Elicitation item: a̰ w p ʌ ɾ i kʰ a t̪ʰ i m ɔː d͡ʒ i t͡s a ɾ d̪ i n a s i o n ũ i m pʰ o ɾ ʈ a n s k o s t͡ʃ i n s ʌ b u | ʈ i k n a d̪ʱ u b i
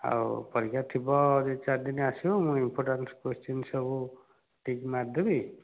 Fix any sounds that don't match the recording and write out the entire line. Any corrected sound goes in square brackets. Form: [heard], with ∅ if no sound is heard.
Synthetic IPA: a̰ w p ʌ ɾ i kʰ a t̪ʰ i [b] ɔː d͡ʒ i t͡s a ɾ d̪ i n a s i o [m] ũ i m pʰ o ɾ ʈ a n s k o s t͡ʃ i n s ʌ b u | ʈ i k [m] a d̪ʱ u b i